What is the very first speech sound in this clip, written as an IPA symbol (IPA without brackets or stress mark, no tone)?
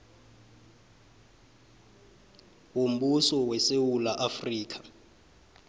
w